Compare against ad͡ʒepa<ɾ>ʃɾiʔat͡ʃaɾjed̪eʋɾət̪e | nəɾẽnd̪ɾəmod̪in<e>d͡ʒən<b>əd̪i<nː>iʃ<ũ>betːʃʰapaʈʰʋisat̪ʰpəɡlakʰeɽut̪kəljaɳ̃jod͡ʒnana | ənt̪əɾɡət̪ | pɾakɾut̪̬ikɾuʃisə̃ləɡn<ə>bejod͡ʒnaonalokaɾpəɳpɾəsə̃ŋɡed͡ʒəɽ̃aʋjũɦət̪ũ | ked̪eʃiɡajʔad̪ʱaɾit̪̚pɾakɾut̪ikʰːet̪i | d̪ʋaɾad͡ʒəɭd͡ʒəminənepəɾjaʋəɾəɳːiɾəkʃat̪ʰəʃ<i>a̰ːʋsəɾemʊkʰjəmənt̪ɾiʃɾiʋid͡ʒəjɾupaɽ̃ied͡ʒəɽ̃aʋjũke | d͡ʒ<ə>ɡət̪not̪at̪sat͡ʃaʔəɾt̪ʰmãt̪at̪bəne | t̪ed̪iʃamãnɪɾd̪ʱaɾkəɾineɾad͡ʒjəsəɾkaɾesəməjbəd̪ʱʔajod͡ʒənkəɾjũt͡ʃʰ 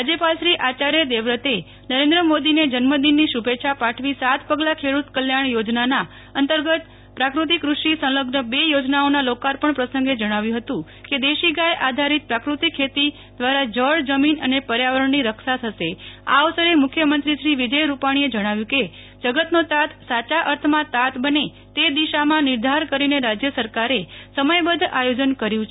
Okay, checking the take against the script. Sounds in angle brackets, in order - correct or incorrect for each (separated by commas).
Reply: incorrect, correct, incorrect, correct, incorrect, correct, incorrect, correct